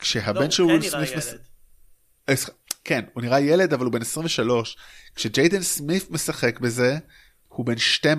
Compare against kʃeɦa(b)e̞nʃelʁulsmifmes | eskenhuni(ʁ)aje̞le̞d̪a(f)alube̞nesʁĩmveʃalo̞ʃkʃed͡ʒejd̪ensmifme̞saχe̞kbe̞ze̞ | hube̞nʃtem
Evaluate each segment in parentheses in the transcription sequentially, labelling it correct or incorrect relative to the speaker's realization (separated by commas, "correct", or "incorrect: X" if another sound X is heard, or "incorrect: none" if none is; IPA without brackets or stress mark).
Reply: correct, correct, incorrect: v